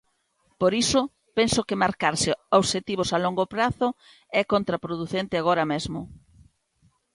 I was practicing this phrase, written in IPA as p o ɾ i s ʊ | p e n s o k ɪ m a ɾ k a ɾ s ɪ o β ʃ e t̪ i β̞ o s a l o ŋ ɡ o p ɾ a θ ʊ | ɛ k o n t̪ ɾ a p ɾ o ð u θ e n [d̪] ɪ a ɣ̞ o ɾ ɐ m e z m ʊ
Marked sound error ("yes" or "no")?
yes